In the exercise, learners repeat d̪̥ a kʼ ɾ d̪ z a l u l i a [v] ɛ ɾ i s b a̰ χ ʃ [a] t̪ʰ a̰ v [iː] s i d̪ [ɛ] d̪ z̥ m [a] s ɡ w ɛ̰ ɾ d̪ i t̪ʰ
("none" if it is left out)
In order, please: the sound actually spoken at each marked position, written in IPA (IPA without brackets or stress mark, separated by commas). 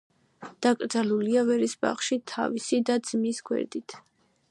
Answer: v, i, i, a, i